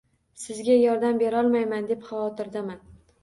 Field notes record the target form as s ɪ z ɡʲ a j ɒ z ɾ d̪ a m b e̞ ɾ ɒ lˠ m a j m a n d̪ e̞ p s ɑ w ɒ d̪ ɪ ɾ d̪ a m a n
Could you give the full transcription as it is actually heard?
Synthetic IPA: s ɪ z ɡʲ a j ɒ ɾ d̪ a m b e̞ ɾ ɒ lˠ m a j m a n d̪ e̞ p χ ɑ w ɒ t̪ ɪ ɾ d̪ a m a n